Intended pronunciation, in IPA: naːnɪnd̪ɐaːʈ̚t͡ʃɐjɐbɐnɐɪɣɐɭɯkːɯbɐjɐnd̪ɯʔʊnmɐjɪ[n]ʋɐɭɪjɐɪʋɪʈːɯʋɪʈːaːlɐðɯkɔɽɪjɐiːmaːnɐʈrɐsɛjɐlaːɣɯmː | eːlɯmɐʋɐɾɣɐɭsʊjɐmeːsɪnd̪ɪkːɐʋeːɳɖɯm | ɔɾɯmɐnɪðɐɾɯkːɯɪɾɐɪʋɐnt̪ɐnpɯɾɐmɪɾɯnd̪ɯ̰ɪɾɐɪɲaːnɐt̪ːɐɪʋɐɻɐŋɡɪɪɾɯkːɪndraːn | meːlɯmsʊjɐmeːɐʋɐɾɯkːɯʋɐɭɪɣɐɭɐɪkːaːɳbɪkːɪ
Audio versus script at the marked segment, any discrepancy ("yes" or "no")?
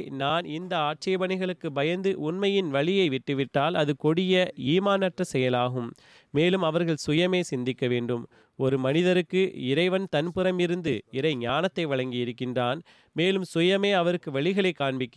no